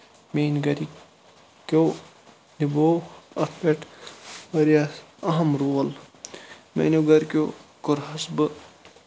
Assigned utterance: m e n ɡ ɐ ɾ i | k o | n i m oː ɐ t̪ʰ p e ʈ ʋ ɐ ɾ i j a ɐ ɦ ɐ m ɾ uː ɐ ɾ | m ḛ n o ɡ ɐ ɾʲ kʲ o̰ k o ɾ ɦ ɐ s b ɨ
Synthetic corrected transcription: m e n ɡ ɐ ɾ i | k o | n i b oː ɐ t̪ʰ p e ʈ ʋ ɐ ɾ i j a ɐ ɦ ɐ m ɾ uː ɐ l | m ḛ n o ɡ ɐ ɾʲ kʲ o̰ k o ɾ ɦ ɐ s b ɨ